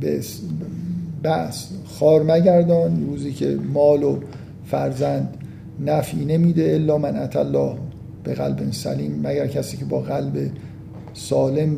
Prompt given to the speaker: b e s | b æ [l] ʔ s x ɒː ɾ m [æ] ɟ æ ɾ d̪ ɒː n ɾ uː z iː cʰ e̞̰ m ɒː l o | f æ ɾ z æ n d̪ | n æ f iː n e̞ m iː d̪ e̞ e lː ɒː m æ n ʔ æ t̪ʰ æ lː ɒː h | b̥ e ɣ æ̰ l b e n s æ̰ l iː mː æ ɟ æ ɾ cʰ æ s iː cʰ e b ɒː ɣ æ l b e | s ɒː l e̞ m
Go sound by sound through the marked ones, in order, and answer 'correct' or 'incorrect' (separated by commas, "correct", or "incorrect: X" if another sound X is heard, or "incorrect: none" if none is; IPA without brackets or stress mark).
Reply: incorrect: none, correct